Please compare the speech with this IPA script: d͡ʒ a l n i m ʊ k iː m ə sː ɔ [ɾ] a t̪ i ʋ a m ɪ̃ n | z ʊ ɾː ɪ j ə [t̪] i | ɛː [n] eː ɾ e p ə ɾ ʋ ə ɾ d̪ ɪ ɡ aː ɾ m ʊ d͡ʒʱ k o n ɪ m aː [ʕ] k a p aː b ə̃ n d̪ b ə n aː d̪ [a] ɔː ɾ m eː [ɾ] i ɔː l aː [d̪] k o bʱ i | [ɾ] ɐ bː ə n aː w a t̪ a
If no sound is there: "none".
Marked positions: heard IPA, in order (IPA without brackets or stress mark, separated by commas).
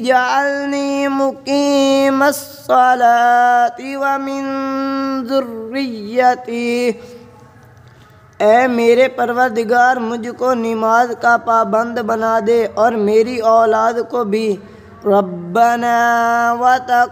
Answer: l, t̪, m, z, e, ɾ, d̪, ɾ